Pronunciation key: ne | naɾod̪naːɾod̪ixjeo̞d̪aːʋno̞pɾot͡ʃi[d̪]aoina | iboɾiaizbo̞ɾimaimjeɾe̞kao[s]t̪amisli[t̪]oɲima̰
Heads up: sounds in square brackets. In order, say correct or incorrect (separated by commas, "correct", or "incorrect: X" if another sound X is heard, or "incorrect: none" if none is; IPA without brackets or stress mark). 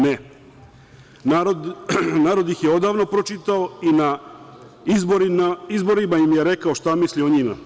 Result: incorrect: t̪, incorrect: ʃ, incorrect: none